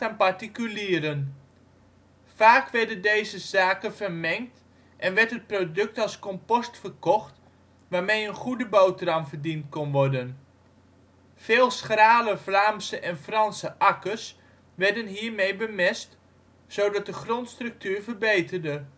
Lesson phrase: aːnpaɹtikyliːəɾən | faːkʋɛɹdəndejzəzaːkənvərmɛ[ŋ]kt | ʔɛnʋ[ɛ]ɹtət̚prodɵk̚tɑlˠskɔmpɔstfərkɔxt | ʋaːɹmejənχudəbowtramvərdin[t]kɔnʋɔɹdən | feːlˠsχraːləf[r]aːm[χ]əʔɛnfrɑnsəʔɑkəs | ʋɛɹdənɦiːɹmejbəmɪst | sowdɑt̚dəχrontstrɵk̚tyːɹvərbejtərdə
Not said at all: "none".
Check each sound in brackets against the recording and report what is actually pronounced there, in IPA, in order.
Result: ŋ, ɛ, t, l, s

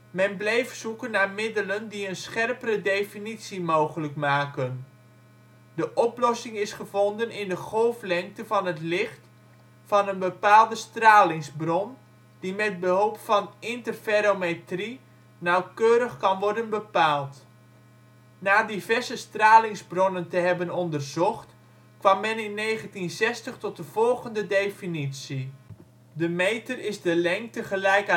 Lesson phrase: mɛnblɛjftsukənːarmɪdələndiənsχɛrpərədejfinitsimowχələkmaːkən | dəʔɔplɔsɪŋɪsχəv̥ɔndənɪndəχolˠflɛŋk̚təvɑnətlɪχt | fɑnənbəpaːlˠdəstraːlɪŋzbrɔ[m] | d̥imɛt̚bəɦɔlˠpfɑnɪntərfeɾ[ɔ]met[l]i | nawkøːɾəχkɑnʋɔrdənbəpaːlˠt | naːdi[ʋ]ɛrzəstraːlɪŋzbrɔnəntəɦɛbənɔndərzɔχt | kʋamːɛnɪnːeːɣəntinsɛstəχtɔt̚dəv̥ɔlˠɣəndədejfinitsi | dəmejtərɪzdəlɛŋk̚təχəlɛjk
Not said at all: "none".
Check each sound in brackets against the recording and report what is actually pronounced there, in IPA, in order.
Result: n, o, r, v

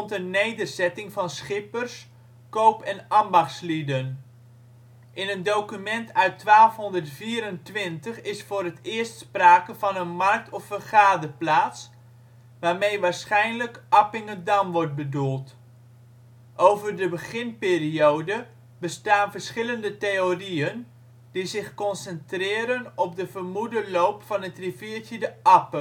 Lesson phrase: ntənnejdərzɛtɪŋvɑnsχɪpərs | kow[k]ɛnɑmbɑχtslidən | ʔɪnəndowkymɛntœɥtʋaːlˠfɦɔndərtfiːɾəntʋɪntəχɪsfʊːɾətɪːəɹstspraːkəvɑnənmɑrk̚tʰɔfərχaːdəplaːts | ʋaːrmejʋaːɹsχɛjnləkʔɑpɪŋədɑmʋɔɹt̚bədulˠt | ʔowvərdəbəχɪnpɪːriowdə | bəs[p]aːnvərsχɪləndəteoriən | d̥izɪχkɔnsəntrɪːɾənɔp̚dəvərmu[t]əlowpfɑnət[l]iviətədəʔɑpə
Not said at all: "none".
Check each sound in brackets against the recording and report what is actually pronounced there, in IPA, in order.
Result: p, t, d, r

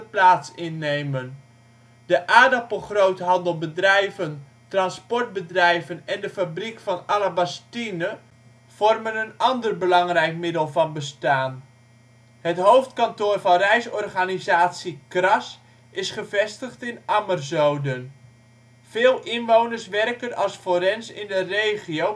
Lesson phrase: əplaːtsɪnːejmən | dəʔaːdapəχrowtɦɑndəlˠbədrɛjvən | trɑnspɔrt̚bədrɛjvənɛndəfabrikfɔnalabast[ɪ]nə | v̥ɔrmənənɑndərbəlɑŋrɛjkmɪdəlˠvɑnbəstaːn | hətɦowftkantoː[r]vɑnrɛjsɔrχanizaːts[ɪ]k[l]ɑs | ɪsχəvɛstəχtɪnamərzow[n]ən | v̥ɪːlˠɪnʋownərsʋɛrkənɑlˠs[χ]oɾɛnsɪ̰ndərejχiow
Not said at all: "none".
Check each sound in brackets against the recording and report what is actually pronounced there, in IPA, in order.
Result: i, r, i, r, d, f

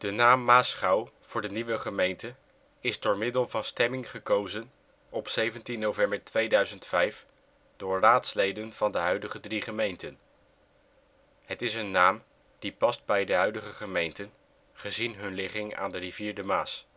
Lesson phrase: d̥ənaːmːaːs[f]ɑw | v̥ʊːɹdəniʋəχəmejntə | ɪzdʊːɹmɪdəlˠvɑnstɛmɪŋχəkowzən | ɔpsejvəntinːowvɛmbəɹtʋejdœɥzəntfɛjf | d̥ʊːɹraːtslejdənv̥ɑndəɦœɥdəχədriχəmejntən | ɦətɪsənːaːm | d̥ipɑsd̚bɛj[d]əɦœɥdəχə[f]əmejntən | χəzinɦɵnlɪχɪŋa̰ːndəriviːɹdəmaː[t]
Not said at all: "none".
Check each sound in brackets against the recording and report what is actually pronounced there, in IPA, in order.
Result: χ, d, χ, s

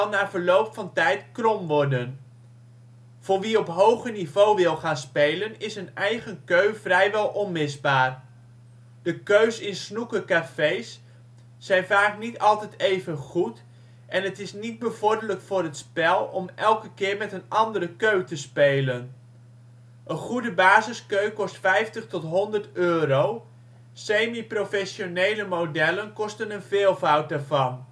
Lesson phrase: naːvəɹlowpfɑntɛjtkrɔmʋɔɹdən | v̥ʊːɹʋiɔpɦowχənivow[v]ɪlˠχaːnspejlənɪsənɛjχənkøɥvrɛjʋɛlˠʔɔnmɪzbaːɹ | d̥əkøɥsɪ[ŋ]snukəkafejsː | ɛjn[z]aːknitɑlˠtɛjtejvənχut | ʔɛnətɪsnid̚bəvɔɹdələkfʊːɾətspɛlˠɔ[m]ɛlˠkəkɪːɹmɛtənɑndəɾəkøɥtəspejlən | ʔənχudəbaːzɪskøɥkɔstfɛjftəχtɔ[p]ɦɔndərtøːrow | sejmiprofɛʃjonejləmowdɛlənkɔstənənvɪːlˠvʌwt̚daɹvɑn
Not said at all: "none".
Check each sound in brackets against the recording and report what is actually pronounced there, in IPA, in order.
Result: ʋ, n, v, m, t

